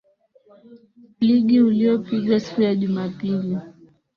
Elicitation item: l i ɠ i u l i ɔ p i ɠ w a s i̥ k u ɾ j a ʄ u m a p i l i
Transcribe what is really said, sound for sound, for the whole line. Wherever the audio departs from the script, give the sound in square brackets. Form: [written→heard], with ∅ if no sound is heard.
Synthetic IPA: l i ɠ i u l i ɔ p i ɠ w a s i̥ k u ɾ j a ʄ u m a p i l i

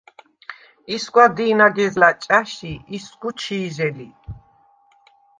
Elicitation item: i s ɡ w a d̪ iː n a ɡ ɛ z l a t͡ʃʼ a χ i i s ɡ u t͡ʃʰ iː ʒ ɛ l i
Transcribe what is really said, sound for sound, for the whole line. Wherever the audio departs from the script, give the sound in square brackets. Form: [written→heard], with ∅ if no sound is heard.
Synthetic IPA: i s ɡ w a d̪ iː n a ɡ ɛ z l a t͡ʃʼ a [χ→ʃ] i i s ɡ u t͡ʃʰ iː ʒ ɛ l i

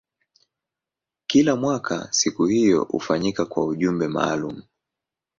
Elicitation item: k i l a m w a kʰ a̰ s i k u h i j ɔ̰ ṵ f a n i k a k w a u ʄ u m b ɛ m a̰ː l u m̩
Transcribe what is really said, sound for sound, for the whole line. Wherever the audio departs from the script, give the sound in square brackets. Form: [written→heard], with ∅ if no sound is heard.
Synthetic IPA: k i l a m w a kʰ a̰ s i k u h i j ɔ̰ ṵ f a [n→ɲ] i k a k w a u ʄ u m b ɛ m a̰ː l u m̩

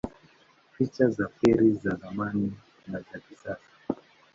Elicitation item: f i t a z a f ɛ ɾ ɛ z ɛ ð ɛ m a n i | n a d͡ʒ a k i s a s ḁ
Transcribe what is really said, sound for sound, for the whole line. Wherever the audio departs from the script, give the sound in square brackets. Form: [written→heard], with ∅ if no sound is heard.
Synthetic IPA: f i [t→t͡ʃ] a z a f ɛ ɾ [ɛ→i] z [ɛ→a] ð [ɛ→a] m a n i | n a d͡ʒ a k i s a s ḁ

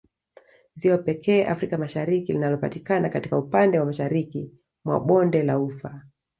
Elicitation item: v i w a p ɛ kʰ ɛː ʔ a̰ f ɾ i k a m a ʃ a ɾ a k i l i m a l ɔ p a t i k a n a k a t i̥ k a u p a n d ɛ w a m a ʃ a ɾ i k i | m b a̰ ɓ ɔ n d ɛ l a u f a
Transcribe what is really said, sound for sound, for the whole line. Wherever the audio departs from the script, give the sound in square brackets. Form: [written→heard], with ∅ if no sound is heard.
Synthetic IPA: [v→z] i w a p ɛ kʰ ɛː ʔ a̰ f ɾ i k a m a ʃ a ɾ [a→i] k i l i [m→n] a l ɔ p a t i k a n a k a t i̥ k a u p a n d ɛ w a m a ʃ a ɾ i k i | m [b→w] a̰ ɓ ɔ n d ɛ l a u f a

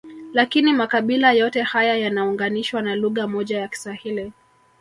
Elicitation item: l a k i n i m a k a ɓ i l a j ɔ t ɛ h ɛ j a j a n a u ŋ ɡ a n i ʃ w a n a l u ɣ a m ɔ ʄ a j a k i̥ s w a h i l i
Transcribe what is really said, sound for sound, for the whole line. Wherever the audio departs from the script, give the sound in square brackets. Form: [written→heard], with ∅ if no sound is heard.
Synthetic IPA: l a k i n i m a k a ɓ i l a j ɔ t ɛ h [ɛ→a] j a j a n a u ŋ ɡ a n i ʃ w a n a l u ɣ a m ɔ ʄ a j a k i̥ s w a h i l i

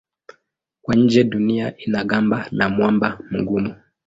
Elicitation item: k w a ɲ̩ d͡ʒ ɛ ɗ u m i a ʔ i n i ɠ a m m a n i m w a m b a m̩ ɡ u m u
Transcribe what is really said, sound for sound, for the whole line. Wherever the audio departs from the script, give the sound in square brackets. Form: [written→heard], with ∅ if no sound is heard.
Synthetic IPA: k w a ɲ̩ d͡ʒ ɛ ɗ u [m→n] i a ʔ i n [i→a] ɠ a m [m→b] a n [i→a] m w a m b a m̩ ɡ u m u

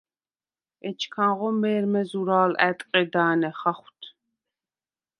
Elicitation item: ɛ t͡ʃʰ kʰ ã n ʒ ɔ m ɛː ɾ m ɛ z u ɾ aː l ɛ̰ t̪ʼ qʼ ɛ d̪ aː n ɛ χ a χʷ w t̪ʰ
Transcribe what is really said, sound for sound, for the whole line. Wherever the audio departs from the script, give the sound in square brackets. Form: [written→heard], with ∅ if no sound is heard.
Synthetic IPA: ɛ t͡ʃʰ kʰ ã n [ʒ→ʁ] ɔ m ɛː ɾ m ɛ z u ɾ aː l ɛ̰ t̪ʼ qʼ ɛ d̪ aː n ɛ χ a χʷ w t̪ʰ

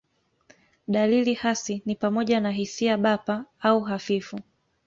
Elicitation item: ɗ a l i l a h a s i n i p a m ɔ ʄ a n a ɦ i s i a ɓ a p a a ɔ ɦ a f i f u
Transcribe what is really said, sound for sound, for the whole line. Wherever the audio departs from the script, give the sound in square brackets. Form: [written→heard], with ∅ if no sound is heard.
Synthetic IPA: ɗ a l i l [a→i] h a s i n i p a m ɔ ʄ a n a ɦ i s i a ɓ a p a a [ɔ→u] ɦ a f i f u

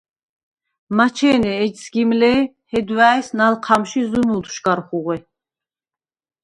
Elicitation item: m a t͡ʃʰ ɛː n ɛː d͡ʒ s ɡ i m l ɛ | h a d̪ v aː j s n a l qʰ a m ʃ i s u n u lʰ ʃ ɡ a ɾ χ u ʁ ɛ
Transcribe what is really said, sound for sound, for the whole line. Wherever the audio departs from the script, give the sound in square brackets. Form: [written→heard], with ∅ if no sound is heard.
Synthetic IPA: m a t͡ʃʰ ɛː n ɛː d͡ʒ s ɡ i m l ɛ | h [a→ɛ] d̪ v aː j s n a l qʰ a m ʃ i [s→z] u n u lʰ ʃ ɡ a ɾ χ u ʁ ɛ

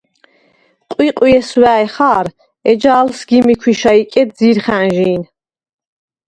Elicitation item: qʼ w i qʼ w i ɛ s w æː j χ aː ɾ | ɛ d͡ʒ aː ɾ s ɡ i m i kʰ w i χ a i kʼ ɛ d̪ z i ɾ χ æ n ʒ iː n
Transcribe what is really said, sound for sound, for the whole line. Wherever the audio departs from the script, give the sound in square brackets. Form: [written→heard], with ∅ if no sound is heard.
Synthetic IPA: qʼ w i qʼ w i ɛ s w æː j χ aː ɾ | ɛ d͡ʒ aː [ɾ→l] s ɡ i m i kʰ w i [χ→ʃ] a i kʼ ɛ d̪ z i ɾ χ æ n ʒ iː n

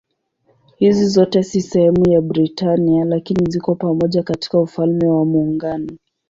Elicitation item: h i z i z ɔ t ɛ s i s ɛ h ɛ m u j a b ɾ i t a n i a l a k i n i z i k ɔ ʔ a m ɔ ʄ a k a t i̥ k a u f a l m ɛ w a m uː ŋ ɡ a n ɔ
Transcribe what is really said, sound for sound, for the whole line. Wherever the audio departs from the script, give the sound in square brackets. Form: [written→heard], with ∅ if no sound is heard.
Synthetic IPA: h i z i z ɔ t ɛ s i s ɛ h ɛ m u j a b ɾ i t a n i a l a k i n i z i k ɔ [ʔ→p] a m ɔ ʄ a k a t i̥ k a u f a l m ɛ w a m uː ŋ ɡ a n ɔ

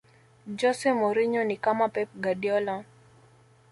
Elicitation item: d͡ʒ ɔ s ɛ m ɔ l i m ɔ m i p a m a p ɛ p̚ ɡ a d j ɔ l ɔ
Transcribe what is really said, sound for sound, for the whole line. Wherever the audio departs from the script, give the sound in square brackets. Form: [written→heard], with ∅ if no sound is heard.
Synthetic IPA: d͡ʒ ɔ s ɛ m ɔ [l→ɾ] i [m→ɲ] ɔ [m→n] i [p→k] a m a p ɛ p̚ ɡ a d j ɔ l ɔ

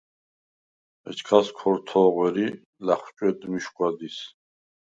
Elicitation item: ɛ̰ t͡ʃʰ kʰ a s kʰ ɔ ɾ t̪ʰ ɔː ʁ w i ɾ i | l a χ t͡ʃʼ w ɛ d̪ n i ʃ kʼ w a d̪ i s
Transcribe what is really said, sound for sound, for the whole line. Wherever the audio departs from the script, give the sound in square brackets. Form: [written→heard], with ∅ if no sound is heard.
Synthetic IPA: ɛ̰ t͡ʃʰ kʰ a s kʰ ɔ ɾ t̪ʰ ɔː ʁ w [i→ɛ] ɾ i | l a χ t͡ʃʼ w ɛ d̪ [n→m] i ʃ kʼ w a d̪ i s

